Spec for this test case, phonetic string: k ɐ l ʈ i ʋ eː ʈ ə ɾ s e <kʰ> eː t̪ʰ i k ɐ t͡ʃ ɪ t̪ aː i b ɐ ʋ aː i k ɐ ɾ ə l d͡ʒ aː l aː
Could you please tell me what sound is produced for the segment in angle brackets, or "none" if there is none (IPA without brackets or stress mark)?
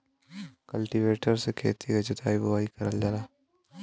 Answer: kʰ